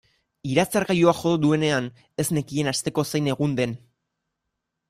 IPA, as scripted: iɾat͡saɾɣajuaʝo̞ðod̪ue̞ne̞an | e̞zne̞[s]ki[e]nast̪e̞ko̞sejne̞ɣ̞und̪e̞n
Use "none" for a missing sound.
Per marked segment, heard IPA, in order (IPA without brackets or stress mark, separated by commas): none, e